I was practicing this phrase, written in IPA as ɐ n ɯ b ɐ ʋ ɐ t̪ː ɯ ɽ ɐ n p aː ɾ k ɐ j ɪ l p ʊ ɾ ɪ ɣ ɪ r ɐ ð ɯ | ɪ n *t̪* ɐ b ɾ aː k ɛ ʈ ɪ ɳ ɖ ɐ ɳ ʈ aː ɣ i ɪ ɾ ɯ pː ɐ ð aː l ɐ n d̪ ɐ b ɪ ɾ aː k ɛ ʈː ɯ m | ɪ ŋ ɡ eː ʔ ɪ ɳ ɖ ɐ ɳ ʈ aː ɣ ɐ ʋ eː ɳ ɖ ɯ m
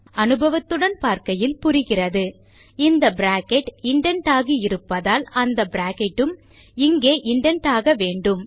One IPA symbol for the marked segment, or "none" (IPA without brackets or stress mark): d̪